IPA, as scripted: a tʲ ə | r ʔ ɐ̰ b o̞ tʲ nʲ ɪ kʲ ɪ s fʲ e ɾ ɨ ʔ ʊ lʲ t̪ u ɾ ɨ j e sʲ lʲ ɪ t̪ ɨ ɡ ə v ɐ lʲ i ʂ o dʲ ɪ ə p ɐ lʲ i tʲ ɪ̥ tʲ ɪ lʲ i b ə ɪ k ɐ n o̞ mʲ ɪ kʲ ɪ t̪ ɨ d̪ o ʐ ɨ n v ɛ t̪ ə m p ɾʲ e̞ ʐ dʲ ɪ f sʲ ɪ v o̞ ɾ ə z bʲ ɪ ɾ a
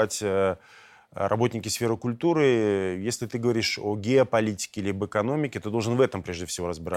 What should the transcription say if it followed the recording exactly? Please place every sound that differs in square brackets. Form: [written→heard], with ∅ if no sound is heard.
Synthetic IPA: a tʲ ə | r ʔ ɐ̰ b o̞ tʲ nʲ ɪ kʲ ɪ s fʲ e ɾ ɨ [ʔ→k] ʊ lʲ t̪ u ɾ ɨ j e sʲ lʲ ɪ t̪ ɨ ɡ ə v ɐ [lʲ→ɾʲ] i ʂ o [dʲ→ɡʲ] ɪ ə p ɐ lʲ i tʲ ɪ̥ [tʲ→kʲ] ɪ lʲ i b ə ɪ k ɐ n o̞ mʲ ɪ kʲ ɪ t̪ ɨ d̪ o ʐ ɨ n v ɛ t̪ ə m p ɾʲ e̞ ʐ dʲ ɪ f sʲ ɪ v o̞ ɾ ə z bʲ ɪ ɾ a